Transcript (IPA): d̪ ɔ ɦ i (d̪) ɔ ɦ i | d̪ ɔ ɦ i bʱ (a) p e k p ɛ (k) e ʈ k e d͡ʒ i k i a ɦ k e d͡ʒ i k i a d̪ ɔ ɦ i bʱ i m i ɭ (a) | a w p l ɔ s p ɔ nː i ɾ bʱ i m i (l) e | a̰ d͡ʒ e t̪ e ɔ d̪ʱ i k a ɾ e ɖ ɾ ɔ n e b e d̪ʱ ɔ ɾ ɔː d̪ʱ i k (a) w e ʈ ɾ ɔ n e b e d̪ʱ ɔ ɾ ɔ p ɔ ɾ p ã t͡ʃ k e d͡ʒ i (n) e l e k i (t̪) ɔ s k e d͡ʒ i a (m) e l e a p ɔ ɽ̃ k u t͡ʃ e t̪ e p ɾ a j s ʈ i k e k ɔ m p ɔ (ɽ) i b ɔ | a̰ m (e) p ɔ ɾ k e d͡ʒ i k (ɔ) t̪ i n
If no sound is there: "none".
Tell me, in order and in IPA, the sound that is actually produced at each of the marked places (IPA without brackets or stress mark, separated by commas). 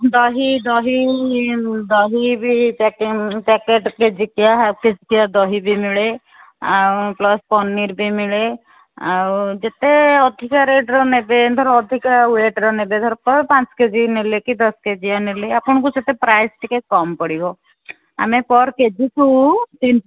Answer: d̪, i, k, e, ɭ, a, n, d̪, n, ɽ, e, u